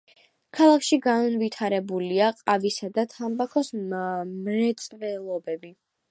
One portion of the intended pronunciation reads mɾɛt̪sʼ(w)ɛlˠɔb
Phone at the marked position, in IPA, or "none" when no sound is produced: v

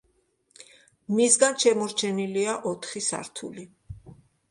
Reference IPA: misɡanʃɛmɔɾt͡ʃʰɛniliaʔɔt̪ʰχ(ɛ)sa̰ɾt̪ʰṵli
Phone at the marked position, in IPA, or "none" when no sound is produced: i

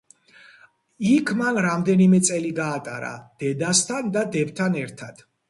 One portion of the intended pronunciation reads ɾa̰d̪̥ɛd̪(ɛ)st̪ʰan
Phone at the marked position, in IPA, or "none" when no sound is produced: a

